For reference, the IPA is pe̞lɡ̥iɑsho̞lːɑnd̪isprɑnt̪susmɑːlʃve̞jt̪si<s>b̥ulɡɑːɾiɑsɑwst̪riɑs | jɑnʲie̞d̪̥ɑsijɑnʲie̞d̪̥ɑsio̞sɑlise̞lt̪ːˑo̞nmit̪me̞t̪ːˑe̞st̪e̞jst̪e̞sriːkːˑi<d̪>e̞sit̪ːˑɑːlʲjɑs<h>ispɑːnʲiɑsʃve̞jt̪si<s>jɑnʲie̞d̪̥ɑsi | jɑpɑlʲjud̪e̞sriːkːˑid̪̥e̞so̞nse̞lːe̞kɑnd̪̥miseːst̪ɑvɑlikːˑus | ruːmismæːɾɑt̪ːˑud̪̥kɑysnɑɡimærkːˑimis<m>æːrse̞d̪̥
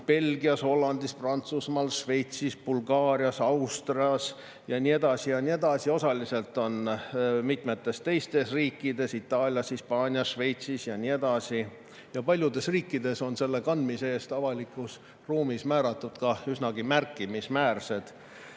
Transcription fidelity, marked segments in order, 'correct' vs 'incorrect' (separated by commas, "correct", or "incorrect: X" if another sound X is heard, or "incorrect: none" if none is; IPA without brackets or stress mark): correct, correct, correct, correct, correct